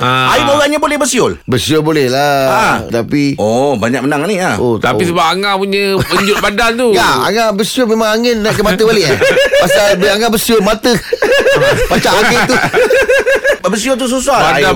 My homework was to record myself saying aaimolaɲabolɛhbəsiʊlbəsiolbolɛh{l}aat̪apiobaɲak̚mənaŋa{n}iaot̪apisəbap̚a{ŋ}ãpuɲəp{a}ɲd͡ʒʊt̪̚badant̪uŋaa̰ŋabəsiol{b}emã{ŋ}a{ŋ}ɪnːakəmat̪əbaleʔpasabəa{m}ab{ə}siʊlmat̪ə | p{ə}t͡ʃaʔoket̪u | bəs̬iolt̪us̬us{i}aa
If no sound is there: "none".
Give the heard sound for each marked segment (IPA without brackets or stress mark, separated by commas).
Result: l, n, ŋ, ə, m, ŋ, ŋ, ŋ, ə, a, a